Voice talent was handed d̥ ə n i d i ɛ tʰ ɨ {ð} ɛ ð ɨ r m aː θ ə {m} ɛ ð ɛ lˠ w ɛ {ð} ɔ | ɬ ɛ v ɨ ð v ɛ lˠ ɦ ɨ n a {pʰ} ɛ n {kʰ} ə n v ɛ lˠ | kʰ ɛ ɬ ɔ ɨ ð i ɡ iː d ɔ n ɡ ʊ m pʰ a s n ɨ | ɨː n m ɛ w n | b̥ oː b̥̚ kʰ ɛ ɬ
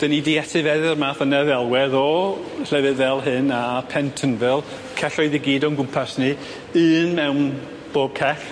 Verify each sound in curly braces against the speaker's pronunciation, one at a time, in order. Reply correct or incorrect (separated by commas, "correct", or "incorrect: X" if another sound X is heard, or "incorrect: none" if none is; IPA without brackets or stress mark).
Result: incorrect: v, incorrect: n, correct, correct, incorrect: tʰ